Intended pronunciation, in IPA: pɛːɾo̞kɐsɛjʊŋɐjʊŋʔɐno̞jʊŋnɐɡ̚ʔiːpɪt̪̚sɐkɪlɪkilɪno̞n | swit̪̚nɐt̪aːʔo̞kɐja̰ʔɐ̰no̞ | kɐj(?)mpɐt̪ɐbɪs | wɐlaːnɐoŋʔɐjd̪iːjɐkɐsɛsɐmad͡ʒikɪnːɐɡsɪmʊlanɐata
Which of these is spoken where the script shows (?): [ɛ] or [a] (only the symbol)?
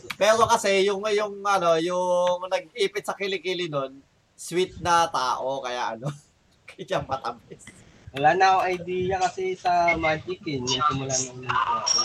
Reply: a